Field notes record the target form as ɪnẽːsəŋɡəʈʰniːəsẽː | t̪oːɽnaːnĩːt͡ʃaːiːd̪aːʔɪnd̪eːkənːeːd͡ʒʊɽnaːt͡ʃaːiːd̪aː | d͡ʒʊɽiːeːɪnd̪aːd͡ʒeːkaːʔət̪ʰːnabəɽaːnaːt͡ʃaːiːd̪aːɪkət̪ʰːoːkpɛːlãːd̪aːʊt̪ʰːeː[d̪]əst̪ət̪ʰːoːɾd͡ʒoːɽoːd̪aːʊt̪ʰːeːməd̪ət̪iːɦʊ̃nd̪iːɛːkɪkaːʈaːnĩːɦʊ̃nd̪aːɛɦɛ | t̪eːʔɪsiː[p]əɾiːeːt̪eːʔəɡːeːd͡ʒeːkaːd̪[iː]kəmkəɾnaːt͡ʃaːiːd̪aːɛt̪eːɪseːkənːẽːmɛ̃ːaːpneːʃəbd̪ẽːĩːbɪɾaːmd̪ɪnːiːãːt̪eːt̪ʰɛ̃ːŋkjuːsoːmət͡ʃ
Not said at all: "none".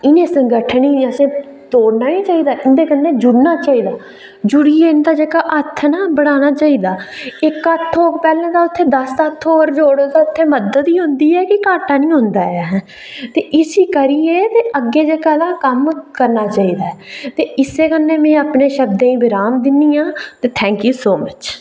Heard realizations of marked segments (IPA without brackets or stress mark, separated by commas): d̪, k, aː